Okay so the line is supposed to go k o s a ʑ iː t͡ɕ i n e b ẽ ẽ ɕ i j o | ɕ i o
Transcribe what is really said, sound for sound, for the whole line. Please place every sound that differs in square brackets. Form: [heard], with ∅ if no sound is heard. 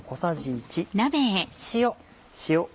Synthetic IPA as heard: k o s a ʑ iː t͡ɕ i n [a] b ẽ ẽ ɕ i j o | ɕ i o

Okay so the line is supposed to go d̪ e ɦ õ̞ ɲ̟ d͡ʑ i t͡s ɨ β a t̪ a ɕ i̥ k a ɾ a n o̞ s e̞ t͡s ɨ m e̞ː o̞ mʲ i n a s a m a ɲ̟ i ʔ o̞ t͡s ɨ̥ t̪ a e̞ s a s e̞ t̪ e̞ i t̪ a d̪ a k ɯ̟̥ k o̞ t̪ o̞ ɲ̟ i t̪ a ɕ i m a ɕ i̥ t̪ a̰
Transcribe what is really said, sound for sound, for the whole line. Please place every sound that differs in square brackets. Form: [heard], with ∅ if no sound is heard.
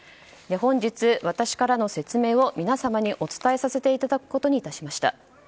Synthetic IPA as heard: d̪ e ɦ õ̞ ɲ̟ d͡ʑ i t͡s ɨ β a t̪ a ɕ i̥ k a ɾ a n o̞ s e̞ t͡s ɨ m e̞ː o̞ mʲ i n a s a m a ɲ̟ i ʔ o̞ t͡s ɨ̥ t̪ a e̞ s a s e̞ t̪ e̞ i t̪ a d̪ a k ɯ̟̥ k o̞ t̪ o̞ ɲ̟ i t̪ a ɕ i m a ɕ i̥ t̪ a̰

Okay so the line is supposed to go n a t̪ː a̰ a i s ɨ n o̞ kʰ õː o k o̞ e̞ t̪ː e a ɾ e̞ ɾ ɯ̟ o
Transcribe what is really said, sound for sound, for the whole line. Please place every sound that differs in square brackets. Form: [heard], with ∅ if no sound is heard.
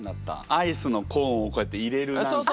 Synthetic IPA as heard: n a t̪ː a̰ a i s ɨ n o̞ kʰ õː o k o̞ e̞ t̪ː e [i] ɾ e̞ ɾ ɯ̟ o

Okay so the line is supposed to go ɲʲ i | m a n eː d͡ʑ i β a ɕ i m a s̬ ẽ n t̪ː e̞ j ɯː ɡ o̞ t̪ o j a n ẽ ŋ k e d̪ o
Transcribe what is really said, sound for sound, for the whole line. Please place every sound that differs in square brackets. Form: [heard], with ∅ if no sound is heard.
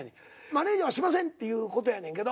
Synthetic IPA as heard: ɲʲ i | m a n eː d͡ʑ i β a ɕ i m a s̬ ẽ n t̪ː e̞ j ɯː [k] o̞ t̪ o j a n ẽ ŋ k e d̪ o

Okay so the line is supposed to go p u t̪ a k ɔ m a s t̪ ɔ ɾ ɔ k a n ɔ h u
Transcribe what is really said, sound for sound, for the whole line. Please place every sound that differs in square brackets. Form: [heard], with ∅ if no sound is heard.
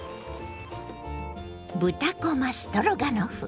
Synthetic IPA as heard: [b] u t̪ a k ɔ m a s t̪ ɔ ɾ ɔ [ɡ] a n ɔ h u

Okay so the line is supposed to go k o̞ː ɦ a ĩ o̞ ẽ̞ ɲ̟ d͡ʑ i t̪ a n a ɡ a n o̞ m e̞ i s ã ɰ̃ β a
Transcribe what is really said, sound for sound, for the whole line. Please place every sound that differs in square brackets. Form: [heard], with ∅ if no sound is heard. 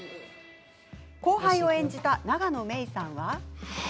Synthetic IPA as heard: k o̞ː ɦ a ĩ o̞ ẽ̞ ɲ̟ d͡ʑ i t̪ a n a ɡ a n o̞ m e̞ i s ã ɰ̃ β a

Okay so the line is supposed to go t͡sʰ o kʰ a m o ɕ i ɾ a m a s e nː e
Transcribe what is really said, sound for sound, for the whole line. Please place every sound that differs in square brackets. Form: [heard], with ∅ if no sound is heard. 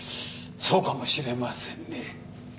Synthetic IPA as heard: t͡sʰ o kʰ a m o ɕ i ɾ [e] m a s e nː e

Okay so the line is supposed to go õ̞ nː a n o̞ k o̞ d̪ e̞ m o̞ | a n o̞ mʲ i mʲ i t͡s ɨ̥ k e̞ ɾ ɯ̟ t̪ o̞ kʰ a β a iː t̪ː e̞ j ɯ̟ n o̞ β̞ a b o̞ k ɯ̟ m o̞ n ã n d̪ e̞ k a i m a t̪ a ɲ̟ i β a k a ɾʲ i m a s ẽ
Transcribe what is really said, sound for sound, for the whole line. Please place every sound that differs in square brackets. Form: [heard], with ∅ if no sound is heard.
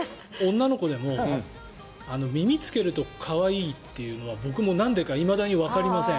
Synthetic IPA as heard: õ̞ nː a n o̞ k o̞ d̪ e̞ m o̞ | a n o̞ mʲ i mʲ i t͡s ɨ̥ k e̞ ɾ ɯ̟ t̪ o̞ kʰ a β a iː t̪ː e̞ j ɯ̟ n o̞ β̞ a b o̞ k ɯ̟ m o̞ n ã n d̪ e̞ k a i m a [d̪] a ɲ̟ i β a k a ɾʲ i m a s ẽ

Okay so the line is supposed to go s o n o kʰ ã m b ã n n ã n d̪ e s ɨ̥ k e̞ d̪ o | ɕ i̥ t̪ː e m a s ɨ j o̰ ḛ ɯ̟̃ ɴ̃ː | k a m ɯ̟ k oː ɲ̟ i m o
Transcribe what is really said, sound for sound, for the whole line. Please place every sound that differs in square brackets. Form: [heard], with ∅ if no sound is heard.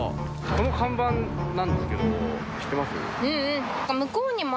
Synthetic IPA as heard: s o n o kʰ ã m b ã n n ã n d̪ e s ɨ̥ k e̞ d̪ o | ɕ i̥ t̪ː e m a s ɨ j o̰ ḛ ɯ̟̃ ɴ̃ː | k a m ɯ̟ k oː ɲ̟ i m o

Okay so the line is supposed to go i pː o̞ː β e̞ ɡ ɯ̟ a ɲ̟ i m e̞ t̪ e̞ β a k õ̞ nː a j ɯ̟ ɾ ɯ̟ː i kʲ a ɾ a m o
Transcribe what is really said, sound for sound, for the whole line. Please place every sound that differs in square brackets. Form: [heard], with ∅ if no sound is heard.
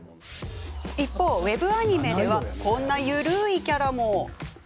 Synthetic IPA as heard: i pː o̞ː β e̞ [b] ɯ̟ a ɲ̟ i m e̞ [d̪] e̞ β a k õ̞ nː a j ɯ̟ ɾ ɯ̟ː i kʲ a ɾ a m o

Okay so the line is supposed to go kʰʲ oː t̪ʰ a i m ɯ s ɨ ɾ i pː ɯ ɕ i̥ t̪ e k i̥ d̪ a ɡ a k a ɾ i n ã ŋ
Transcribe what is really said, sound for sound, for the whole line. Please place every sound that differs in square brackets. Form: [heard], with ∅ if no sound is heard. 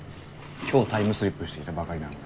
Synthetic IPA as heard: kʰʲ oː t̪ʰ a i m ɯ s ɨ ɾ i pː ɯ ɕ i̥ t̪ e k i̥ [t̪] a [b] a k a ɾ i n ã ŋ

